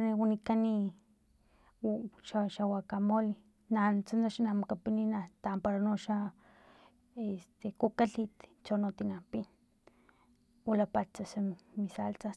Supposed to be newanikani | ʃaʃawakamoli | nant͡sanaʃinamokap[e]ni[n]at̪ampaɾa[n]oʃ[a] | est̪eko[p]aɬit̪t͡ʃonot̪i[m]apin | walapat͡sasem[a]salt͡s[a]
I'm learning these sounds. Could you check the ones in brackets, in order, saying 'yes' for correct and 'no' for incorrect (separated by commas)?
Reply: no, yes, yes, yes, no, no, no, yes